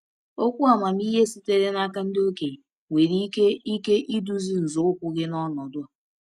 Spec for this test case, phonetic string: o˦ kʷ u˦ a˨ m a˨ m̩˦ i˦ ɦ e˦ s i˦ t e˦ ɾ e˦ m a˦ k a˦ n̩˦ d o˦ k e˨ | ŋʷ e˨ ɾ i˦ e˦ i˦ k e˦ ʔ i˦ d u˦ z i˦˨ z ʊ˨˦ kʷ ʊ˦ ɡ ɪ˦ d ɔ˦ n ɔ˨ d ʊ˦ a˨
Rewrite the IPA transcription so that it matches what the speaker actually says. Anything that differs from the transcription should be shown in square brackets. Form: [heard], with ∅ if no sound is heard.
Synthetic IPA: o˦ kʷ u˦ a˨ m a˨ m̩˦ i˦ ɦ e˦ s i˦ t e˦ ɾ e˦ [n] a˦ k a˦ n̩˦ d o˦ k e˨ | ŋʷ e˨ ɾ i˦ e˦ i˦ k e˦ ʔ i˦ d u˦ z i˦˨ z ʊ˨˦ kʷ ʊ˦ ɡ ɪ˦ [n] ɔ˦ n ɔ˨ d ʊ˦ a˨